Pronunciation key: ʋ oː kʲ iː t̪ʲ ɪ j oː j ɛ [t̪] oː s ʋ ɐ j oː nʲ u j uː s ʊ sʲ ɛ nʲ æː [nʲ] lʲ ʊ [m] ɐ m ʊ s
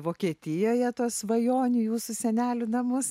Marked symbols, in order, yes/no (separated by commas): yes, no, no